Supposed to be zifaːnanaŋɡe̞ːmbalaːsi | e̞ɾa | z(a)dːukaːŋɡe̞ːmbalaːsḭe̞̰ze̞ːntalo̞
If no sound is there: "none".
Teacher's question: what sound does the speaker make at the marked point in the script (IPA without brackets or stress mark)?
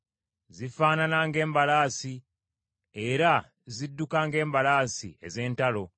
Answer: i